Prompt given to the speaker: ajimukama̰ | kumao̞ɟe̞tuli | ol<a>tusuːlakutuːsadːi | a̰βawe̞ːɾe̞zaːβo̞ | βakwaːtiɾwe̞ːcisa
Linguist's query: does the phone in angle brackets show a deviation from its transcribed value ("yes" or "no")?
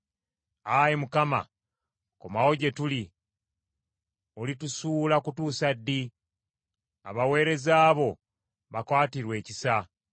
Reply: yes